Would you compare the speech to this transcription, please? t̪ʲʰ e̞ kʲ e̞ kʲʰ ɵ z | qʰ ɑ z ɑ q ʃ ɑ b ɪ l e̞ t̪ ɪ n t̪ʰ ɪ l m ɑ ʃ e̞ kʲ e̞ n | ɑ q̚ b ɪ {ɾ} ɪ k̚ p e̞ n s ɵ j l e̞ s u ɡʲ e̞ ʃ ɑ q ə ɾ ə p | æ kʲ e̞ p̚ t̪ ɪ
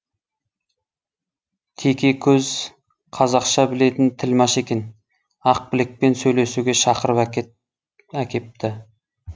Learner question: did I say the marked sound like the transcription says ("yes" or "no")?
no